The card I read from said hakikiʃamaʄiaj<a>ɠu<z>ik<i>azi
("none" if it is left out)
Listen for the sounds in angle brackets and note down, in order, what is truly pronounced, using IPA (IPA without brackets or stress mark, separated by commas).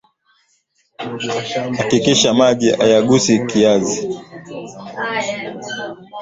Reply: a, s, i